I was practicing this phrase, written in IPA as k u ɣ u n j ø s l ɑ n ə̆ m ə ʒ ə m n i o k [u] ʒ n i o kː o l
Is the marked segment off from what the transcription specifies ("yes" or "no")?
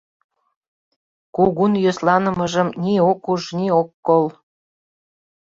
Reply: no